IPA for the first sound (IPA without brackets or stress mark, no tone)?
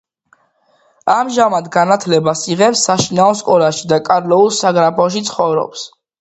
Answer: a